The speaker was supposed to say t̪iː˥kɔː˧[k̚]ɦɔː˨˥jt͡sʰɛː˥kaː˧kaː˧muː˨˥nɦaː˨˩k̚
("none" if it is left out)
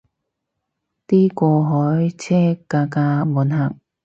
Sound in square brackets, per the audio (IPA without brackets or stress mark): none